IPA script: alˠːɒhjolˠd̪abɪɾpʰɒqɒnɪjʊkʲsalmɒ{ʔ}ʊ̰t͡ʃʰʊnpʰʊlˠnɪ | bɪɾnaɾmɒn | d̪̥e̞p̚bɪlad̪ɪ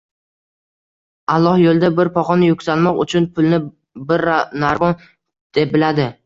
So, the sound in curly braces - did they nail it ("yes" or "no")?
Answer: no